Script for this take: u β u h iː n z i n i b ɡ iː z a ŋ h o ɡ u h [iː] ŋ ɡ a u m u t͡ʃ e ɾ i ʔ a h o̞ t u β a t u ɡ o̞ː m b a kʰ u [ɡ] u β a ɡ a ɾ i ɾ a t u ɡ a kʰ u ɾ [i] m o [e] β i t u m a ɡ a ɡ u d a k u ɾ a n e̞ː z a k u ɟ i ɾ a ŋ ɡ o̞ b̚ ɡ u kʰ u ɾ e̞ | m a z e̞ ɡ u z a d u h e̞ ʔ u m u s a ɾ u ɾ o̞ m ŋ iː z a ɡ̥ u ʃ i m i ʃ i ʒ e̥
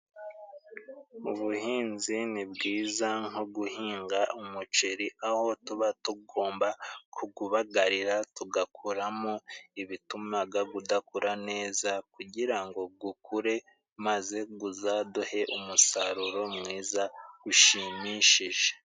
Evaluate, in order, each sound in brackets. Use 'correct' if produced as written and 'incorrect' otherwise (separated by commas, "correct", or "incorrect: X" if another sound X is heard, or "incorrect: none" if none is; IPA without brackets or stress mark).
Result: correct, correct, incorrect: a, incorrect: i